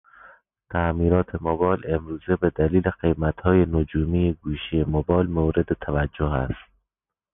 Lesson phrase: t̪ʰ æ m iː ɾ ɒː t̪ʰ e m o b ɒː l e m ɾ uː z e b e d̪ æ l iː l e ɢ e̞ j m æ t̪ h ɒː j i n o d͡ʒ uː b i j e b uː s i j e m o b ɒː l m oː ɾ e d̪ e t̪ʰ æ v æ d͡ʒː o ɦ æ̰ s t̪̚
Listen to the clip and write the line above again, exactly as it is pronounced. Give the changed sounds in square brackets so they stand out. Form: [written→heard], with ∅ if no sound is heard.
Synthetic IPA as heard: t̪ʰ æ m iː ɾ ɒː t̪ʰ e m o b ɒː l e m ɾ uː z e b e d̪ æ l iː l e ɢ e̞ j m æ t̪ h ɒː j [i→e] n o d͡ʒ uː [b→m] i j e [b→ɡ] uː [s→ʃ] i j e m o b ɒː l m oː ɾ e d̪ e t̪ʰ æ v æ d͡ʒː o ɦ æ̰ s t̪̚